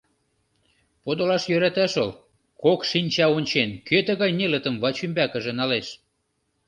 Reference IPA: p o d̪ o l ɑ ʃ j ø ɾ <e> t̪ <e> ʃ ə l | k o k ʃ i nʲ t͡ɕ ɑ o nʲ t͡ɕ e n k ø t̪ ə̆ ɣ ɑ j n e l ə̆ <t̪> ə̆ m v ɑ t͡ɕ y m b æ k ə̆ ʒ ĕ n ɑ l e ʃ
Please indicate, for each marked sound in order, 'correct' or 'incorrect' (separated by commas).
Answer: incorrect, incorrect, correct